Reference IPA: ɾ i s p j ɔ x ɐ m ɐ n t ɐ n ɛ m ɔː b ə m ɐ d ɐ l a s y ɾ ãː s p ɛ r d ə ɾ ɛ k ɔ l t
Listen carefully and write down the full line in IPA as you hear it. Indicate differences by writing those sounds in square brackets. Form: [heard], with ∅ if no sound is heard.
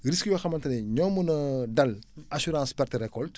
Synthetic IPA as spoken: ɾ i s [k] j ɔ x ɐ m ɐ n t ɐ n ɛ [ɲ] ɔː [m] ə [n] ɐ d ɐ l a s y ɾ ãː s p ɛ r [t] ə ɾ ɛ k ɔ l t